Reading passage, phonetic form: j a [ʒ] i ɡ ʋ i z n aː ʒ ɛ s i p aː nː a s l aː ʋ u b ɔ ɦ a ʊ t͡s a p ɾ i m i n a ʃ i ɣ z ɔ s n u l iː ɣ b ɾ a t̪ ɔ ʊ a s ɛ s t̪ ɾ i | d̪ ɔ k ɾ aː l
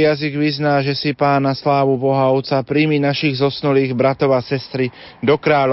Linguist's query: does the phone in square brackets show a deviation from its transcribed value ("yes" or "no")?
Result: yes